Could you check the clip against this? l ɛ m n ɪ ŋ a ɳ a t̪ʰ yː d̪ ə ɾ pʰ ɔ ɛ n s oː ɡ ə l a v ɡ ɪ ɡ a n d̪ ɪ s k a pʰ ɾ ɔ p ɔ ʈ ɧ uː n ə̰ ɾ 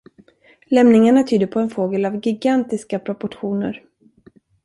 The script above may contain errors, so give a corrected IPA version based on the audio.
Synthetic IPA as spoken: l ɛ m n ɪ ŋ a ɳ a t̪ʰ yː d̪ ə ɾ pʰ ɔ ɛ n f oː ɡ ə l a v ɡ ɪ ɡ a n t̪ ɪ s k a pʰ ɾ ɔ p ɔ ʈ ɧ uː n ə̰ ɾ